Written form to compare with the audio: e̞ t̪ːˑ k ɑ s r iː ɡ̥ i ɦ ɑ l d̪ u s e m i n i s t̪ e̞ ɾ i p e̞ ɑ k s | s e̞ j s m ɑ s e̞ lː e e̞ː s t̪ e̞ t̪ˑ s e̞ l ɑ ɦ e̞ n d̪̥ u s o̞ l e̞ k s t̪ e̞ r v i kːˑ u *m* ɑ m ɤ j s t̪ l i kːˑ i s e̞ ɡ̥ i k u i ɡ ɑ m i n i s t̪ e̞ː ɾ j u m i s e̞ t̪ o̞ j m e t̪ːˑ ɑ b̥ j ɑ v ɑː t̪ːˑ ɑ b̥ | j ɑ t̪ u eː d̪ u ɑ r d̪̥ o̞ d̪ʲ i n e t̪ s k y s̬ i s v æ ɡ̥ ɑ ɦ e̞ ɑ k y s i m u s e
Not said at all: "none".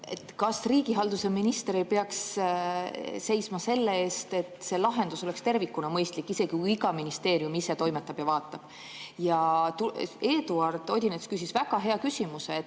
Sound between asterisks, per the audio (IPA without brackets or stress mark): n